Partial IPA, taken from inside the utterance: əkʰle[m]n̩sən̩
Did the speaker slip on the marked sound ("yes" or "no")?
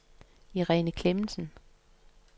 no